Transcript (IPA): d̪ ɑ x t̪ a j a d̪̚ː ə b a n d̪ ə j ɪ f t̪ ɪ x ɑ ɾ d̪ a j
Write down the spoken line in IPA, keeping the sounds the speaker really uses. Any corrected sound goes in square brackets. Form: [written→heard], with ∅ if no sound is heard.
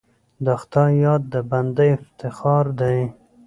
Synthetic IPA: d̪ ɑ x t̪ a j [a→ɑ] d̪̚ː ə b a n d̪ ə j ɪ f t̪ ɪ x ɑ ɾ d̪ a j